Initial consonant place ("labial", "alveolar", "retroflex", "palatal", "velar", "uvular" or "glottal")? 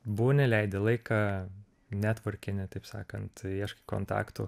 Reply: labial